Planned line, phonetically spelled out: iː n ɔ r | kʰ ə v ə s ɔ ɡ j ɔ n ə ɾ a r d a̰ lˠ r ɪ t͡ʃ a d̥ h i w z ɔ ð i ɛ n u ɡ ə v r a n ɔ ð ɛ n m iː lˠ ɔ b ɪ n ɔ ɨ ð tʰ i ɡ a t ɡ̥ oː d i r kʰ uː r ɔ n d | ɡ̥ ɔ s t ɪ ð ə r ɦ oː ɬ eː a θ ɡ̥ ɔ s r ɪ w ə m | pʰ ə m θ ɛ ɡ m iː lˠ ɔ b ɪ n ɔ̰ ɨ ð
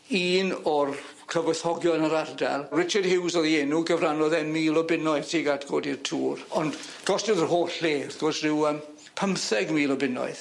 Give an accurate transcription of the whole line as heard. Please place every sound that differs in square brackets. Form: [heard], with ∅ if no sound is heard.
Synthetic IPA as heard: iː n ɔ r | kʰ ə v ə [θ] ɔ ɡ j ɔ n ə ɾ a r d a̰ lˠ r ɪ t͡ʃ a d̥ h [ɪ] w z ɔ ð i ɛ n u ɡ ə v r a n ɔ ð ɛ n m iː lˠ ɔ b ɪ n ɔ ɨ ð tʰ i ɡ a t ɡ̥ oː d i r [tʰ] uː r ɔ n d | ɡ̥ ɔ s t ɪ ð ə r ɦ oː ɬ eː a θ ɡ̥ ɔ s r ɪ w ə m | pʰ ə m θ ɛ ɡ m iː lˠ ɔ b ɪ n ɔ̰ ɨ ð